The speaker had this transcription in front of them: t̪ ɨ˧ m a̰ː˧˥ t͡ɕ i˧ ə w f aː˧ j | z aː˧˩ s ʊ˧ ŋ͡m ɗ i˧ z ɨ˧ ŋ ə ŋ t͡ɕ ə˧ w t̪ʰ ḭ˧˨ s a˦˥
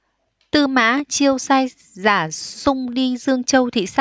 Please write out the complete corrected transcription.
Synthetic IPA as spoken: t̪ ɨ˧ m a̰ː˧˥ t͡ɕ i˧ ə w s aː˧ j | z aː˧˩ s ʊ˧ ŋ͡m ɗ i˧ z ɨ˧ ə ŋ t͡ɕ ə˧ w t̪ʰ ḭ˧˨ s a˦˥